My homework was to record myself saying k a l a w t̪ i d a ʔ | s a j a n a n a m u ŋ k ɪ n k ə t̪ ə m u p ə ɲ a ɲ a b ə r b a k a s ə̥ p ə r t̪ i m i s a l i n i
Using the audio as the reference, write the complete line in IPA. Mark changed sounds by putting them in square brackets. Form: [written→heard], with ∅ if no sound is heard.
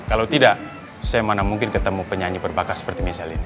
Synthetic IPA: k a l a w t̪ i d a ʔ | s a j a [n→m] a n a m u ŋ k ɪ n k ə t̪ ə m u p ə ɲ a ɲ [a→i] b ə r b a k a s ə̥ p ə r t̪ i m i s a l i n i